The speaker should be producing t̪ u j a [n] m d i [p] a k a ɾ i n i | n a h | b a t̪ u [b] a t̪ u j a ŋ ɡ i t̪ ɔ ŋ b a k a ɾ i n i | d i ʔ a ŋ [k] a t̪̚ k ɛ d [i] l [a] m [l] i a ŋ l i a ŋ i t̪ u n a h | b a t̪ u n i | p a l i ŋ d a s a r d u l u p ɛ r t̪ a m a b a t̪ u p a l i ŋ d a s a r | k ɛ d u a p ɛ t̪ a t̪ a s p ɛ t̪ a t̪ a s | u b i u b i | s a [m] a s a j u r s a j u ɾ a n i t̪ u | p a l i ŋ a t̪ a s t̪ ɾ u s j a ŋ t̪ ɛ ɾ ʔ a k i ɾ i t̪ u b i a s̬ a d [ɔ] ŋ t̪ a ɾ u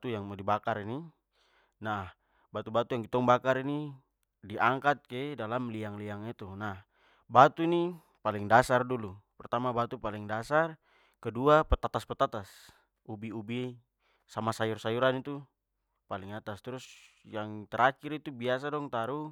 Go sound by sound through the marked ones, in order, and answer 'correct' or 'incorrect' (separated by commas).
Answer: incorrect, incorrect, correct, correct, incorrect, correct, correct, correct, correct